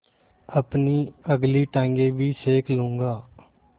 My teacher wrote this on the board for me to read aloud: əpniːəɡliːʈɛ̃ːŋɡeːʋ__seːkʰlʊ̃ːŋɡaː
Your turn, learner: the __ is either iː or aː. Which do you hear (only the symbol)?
iː